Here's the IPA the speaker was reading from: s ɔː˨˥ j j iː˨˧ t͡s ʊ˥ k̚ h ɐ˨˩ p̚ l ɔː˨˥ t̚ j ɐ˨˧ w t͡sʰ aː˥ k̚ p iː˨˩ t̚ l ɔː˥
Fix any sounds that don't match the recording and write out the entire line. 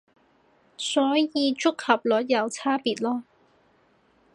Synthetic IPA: s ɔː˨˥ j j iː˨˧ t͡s ʊ˥ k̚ h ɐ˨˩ p̚ l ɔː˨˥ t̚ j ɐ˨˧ w t͡sʰ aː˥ p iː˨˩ t̚ l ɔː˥